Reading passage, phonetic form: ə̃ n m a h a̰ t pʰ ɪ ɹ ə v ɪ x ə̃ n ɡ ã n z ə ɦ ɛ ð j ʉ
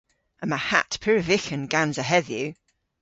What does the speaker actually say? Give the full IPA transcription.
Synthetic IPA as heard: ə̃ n m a h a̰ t pʰ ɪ ɹ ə v ɪ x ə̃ n ɡ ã n z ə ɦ ɛ ð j ʉ